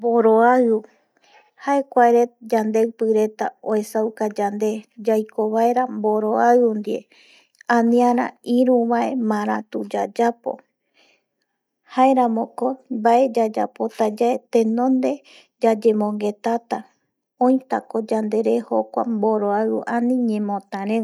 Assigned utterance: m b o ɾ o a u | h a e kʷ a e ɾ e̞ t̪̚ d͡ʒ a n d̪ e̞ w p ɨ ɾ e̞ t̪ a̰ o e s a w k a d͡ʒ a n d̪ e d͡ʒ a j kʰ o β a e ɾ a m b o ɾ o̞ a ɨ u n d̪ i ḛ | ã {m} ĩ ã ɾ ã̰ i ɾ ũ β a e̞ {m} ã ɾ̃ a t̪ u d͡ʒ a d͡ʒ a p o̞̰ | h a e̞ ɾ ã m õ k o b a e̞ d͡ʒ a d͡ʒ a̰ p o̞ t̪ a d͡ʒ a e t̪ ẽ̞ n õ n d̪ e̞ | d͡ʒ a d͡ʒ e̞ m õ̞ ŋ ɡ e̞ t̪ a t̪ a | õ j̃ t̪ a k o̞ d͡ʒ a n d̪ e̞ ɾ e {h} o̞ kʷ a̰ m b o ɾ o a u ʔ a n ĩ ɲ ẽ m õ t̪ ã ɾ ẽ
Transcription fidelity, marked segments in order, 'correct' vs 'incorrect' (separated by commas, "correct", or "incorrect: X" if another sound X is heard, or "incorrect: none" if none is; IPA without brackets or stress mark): incorrect: n, correct, correct